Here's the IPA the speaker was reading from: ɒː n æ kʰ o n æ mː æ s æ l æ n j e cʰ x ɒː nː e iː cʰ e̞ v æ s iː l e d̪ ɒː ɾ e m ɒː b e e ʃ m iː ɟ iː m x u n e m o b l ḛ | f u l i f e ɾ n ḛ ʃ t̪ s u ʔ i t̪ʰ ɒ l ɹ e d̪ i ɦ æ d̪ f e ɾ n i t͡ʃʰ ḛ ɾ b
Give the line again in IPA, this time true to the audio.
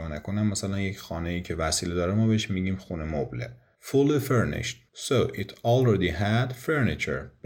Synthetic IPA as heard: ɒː n æ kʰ o n æ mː æ s æ l æ n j e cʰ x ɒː n e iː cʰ e̞ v æ s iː l e d̪ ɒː ɾ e m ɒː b e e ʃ m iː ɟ iː m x u n e m o b l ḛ | f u l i f e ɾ n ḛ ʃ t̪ s o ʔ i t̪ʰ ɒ l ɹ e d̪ i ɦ æ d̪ f e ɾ n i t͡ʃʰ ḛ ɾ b